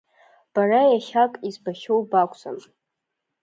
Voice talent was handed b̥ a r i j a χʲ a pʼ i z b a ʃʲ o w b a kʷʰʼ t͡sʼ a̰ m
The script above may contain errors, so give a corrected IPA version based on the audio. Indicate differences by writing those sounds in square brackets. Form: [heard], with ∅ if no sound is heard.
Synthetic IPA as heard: b̥ a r [a] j a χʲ a [kʼ] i z b a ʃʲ o w b a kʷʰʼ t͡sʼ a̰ m